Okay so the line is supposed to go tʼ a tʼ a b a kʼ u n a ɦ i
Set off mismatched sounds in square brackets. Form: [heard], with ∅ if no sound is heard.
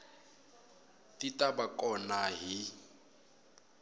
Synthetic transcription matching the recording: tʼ [i] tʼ a b a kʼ [ɔ] n a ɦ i